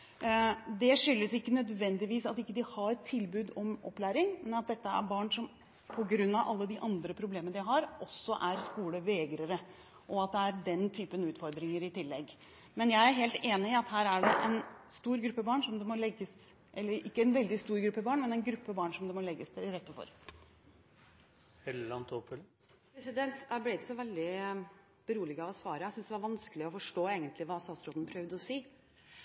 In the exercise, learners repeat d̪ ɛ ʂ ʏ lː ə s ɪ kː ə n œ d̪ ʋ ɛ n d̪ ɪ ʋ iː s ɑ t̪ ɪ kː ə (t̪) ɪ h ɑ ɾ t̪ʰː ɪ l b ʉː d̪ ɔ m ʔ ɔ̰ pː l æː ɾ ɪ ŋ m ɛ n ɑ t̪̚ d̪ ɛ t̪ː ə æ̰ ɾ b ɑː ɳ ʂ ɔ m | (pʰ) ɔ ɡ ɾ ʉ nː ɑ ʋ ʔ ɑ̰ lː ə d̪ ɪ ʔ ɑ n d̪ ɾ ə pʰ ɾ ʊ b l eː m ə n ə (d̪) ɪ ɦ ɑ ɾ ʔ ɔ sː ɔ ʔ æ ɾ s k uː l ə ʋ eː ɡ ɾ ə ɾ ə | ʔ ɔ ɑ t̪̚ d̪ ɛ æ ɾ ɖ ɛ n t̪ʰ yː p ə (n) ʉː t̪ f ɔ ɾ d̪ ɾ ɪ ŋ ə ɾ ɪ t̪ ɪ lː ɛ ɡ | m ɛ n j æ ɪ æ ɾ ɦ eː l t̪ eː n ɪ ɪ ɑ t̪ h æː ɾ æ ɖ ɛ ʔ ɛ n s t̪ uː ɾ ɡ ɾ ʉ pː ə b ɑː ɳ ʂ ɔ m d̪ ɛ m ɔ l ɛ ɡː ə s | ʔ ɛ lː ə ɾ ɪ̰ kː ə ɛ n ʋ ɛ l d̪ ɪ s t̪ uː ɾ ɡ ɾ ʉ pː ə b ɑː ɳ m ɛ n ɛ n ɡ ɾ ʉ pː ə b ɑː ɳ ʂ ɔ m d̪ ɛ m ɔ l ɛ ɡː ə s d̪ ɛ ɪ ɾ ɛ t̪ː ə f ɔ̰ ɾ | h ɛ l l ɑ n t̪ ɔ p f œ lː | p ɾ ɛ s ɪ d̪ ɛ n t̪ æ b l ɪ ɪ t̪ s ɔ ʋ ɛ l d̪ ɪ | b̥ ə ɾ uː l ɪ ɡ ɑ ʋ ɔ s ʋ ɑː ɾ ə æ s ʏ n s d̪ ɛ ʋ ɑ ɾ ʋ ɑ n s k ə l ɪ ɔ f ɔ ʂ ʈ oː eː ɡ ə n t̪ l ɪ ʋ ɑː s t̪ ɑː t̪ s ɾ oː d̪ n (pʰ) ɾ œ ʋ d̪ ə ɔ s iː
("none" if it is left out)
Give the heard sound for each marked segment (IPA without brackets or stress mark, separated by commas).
d̪, pʰ, d̪, n, pʰ